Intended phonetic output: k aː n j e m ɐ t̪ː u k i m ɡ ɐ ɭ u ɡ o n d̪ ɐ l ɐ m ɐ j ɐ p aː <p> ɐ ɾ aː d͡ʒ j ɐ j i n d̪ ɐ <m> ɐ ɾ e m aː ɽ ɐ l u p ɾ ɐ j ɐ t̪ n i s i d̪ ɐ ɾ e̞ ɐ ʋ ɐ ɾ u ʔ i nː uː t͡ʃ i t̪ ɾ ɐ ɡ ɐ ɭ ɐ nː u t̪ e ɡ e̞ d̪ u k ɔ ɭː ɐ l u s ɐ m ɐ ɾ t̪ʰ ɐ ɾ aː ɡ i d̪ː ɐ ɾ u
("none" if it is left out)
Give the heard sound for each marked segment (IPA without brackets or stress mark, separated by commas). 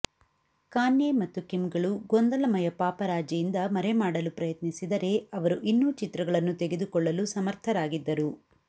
p, m